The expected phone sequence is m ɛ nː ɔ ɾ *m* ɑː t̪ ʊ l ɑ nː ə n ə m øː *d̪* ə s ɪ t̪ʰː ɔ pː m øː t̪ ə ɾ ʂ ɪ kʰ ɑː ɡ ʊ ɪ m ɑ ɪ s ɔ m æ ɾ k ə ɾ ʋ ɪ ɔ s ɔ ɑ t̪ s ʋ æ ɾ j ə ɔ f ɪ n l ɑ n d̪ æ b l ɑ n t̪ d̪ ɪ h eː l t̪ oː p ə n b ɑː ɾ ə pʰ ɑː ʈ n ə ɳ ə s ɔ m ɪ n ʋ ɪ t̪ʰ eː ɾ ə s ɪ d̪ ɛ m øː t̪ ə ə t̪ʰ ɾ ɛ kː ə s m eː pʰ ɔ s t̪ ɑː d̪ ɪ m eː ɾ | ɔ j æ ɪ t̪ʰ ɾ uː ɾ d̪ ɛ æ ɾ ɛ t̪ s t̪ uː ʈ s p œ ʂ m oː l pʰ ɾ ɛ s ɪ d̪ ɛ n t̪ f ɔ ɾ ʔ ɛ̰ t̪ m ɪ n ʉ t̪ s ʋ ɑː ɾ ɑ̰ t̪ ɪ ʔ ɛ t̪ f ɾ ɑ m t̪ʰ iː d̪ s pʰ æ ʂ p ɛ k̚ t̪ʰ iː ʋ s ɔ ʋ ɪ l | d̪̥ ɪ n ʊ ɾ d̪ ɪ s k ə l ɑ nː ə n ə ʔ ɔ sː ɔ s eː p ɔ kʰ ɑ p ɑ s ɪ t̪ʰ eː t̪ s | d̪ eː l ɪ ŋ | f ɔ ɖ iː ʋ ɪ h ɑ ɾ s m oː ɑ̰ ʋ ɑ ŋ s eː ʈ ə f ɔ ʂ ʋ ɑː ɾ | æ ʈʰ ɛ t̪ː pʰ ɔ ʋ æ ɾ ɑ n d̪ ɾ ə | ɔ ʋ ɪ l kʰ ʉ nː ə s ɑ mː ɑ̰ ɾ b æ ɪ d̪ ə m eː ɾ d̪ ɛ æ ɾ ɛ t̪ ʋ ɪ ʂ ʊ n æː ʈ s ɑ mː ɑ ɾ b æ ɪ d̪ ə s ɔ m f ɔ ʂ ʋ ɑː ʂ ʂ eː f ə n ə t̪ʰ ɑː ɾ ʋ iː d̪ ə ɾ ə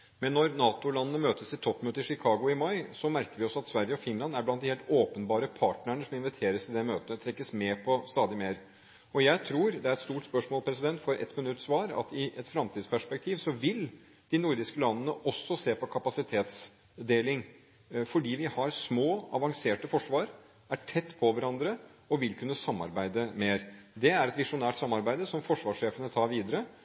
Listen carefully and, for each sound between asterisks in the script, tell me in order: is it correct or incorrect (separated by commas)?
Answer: incorrect, incorrect